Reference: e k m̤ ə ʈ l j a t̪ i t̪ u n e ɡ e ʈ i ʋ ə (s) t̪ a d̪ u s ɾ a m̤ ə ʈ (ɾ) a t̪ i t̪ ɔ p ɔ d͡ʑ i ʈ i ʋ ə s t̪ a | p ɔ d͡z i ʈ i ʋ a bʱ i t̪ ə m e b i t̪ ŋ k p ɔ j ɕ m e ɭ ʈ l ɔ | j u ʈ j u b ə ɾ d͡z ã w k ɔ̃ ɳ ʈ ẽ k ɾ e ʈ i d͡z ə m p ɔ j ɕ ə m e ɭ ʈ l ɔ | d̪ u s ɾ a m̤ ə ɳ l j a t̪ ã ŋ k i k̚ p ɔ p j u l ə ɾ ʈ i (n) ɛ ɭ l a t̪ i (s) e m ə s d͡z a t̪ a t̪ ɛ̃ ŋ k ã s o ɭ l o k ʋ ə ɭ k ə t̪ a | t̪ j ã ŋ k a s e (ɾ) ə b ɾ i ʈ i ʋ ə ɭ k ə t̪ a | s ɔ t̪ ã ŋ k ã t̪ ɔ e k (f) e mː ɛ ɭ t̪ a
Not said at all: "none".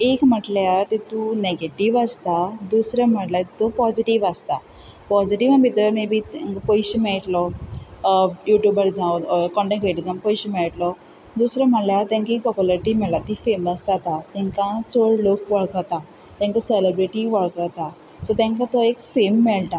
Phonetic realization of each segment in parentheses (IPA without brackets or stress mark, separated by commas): s, l, m, f, l, f